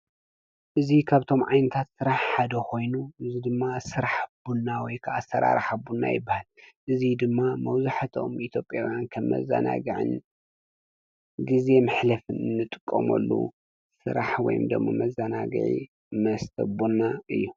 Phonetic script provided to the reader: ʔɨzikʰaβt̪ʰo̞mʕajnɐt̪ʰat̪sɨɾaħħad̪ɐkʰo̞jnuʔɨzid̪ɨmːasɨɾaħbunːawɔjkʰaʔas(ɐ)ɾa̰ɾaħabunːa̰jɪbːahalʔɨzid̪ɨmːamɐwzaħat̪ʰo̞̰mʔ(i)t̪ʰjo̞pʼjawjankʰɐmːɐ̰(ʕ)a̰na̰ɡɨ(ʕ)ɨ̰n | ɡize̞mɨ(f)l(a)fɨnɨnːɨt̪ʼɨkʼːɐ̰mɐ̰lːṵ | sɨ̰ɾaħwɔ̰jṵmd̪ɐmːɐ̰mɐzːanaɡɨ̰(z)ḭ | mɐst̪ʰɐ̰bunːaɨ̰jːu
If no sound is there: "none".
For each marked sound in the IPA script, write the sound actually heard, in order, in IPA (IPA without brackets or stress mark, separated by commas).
ɐ, i, z, ʕ, ħ, ɐ, ʕ